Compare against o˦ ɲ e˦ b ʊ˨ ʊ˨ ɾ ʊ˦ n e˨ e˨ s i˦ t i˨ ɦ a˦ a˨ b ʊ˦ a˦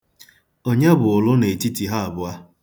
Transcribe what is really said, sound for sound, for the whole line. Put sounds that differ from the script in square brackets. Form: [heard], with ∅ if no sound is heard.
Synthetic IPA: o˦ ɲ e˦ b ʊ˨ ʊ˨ [l] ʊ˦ n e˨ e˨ [t] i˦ t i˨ ɦ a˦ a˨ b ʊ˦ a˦